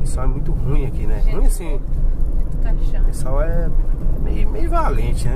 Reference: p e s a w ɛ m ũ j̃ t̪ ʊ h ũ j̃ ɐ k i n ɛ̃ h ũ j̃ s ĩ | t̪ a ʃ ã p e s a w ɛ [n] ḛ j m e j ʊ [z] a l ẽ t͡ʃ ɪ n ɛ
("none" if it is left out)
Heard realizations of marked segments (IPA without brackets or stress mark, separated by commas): m, v